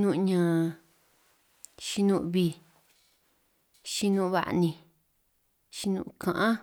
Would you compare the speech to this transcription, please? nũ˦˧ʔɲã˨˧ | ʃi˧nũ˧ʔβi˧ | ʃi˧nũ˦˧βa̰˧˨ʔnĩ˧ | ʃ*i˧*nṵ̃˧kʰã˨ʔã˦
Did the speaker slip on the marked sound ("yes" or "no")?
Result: no